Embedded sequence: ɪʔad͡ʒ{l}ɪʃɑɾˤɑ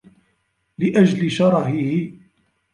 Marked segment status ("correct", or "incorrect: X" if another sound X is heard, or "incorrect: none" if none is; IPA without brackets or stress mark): correct